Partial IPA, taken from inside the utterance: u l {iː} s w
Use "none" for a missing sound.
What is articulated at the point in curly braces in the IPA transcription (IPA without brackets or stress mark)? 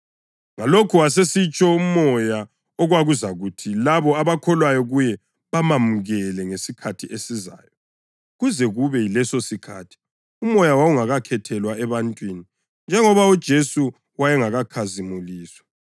iː